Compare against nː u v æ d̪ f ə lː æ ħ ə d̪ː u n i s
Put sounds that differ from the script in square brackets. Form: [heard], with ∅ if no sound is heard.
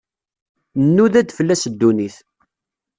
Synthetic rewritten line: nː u [ð] æ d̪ f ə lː æ [s] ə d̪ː u n i [θ]